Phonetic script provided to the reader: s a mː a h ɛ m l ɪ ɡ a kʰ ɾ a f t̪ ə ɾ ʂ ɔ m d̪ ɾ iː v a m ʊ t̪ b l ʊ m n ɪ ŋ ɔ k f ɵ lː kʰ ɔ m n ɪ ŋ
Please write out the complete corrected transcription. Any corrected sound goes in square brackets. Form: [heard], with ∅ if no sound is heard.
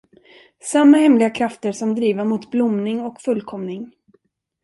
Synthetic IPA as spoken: s a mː a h ɛ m l ɪ ɡ a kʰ ɾ a f t̪ ə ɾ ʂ ɔ m d̪ ɾ iː v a m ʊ t̪ b l ʊ m n ɪ ŋ ɔ k f ɵ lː kʰ ɔ m n ɪ ŋ